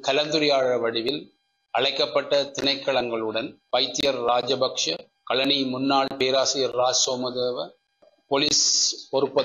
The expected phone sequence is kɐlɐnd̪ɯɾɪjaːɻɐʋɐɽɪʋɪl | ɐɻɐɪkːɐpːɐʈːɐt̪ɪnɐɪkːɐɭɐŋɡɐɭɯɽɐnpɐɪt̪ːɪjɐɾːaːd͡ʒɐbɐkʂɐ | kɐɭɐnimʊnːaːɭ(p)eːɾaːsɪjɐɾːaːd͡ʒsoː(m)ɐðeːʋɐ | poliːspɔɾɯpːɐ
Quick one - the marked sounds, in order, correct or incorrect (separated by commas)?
correct, correct